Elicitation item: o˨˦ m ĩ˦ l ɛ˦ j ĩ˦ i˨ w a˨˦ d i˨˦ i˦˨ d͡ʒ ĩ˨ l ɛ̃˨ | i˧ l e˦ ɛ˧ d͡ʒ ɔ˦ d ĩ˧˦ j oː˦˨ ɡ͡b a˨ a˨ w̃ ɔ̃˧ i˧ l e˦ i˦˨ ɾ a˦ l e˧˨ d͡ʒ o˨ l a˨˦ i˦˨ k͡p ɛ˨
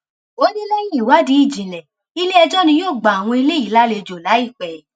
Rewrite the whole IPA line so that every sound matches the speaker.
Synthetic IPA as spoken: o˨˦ n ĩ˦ l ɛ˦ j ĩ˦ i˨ w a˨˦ d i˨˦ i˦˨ d͡ʒ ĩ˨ l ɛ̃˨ | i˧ l e˦ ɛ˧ d͡ʒ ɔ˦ n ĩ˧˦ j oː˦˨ ɡ͡b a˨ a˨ w̃ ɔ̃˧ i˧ l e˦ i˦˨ l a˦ l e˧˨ d͡ʒ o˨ l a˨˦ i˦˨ k͡p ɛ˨